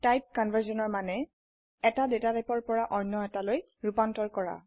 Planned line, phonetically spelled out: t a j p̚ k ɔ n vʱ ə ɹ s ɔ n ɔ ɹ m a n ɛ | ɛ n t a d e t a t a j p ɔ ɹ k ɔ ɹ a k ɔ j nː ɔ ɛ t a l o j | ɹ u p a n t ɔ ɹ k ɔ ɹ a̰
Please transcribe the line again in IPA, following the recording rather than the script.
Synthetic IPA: t a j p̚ k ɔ n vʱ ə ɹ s ɔ n ɔ ɹ m a n ɛ | ɛ t a d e t a t a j p ɔ ɹ p ɔ ɹ a ʔ ɔ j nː ɔ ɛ t a l o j | ɹ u p a n t ɔ ɹ k ɔ ɹ a̰